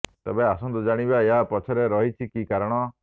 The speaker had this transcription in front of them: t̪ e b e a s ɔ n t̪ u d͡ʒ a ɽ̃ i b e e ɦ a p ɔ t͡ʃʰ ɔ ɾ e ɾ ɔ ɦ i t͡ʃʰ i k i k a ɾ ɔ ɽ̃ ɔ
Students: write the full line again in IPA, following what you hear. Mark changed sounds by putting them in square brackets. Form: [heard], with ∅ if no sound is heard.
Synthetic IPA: t̪ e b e a s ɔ n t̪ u d͡ʒ a ɽ̃ i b [a] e ɦ a p ɔ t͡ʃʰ ɔ ɾ e ɾ ɔ ɦ i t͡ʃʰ i k i k a ɾ ɔ ɽ̃ ɔ